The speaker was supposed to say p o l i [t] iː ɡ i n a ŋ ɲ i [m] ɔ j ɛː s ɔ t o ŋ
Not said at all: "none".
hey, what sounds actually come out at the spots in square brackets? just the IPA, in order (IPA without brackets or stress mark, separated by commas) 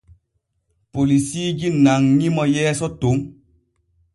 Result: s, m